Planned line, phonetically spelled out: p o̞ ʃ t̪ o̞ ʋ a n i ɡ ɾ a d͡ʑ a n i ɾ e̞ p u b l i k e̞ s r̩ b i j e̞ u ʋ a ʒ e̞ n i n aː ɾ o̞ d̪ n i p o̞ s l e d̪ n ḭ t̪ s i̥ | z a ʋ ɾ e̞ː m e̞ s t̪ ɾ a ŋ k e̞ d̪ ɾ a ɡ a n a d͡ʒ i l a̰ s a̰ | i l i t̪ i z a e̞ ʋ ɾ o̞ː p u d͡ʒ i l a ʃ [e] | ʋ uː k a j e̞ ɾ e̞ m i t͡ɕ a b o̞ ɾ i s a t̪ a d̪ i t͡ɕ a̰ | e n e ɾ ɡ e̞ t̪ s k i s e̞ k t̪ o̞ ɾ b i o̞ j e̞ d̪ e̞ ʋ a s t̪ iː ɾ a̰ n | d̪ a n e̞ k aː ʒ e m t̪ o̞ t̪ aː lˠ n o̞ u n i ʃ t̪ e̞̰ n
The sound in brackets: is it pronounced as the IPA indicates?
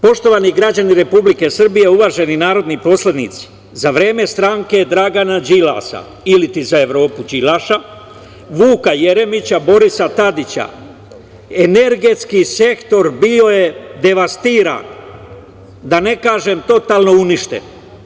no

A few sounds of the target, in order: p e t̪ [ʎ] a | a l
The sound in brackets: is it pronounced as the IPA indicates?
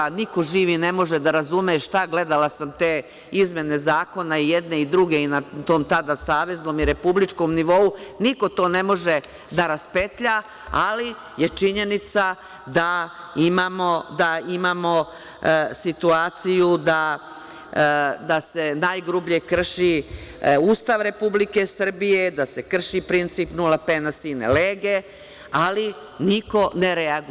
yes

